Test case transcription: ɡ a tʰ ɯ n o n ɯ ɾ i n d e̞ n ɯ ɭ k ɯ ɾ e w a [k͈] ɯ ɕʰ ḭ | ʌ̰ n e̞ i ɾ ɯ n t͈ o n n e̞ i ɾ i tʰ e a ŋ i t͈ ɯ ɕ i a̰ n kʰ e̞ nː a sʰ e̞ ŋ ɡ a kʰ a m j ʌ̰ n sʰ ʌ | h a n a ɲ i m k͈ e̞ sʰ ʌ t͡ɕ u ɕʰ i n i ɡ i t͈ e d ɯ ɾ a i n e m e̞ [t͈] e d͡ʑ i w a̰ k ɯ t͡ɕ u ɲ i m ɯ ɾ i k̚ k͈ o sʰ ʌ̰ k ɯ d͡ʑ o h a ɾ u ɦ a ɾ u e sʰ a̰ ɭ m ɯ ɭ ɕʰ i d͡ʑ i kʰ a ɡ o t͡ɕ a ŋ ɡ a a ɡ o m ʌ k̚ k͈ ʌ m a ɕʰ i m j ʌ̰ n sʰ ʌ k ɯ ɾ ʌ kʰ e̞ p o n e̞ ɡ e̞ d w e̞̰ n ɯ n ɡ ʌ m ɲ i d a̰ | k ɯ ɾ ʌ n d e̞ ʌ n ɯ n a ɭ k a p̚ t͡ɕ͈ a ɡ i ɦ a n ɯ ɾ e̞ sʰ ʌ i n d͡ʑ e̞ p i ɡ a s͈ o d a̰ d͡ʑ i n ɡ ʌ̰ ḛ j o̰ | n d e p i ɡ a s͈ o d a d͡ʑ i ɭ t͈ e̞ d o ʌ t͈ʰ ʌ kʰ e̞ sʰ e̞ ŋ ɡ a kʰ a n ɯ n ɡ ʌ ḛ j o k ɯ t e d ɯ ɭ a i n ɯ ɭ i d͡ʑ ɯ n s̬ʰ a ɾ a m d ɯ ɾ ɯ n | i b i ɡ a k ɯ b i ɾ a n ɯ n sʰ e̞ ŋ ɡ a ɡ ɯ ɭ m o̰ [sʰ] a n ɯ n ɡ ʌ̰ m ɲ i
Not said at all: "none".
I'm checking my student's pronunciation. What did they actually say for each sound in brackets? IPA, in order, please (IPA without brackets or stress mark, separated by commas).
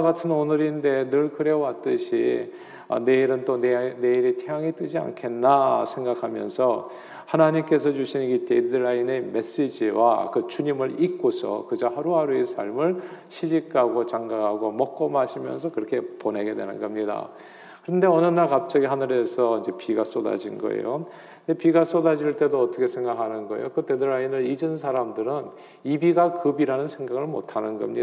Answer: t͈, s͈, tʰ